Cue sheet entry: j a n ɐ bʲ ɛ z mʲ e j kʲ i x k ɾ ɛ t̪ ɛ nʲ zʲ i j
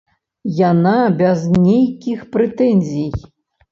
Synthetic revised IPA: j a n a bʲ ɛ z nʲ e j kʲ i x p ɾ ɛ t̪ ɛ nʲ zʲ i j